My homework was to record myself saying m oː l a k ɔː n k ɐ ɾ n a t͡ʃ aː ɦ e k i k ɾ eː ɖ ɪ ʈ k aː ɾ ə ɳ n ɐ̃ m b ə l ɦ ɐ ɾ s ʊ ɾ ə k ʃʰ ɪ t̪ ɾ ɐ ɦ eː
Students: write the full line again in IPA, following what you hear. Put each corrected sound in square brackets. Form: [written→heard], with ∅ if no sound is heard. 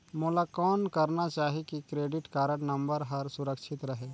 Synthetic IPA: m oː l a k ɔː n k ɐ ɾ n a t͡ʃ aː ɦ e k i k ɾ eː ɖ ɪ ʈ k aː ɾ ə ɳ n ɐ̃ m b ə [l→ɾ] ɦ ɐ ɾ s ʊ ɾ ə k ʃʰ ɪ t̪ ɾ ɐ ɦ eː